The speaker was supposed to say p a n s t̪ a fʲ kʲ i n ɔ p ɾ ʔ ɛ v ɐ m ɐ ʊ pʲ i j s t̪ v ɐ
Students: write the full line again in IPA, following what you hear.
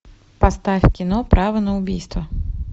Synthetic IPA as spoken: p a s t̪ a fʲ kʲ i n ɔ p ɾ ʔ a v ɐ n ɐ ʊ bʲ i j s t̪ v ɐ